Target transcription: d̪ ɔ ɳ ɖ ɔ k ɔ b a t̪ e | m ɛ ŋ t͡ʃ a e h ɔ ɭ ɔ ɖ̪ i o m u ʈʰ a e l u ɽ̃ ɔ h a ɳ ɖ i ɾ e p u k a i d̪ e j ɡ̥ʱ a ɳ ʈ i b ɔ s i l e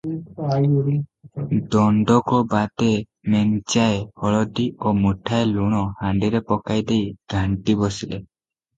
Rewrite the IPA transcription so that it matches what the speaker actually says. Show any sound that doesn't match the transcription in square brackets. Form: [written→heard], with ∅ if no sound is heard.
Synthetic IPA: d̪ ɔ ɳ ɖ ɔ k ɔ b a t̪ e | m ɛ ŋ t͡ʃ a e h ɔ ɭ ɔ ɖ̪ i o m u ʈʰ a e l u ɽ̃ ɔ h a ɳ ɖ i ɾ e p [u→ɔ] k a [i→j] d̪ e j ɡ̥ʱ a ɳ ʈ i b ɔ s i l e